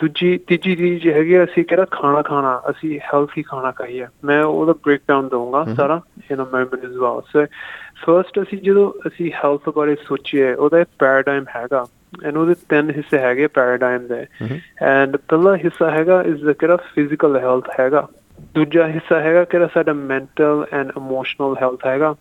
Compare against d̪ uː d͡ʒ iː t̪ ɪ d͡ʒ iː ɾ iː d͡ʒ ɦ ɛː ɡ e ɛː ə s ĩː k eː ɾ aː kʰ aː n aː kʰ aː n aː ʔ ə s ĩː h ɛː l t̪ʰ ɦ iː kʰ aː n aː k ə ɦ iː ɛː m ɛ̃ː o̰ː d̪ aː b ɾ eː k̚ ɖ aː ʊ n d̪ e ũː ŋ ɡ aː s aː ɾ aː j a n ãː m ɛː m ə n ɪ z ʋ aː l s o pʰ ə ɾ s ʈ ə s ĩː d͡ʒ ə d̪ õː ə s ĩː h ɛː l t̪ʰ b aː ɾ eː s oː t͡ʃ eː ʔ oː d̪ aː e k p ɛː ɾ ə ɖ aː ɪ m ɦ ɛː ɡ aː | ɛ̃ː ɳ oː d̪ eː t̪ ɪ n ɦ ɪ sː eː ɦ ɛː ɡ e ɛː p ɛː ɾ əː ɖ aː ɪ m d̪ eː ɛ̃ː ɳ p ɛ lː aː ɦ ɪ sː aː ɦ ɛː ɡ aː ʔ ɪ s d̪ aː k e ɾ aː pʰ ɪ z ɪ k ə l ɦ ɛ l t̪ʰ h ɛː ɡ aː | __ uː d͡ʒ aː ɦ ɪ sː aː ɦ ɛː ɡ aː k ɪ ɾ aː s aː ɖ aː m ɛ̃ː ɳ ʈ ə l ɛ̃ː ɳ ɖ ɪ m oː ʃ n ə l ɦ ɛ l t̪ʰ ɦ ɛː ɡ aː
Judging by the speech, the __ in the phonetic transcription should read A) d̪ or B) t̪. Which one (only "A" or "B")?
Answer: A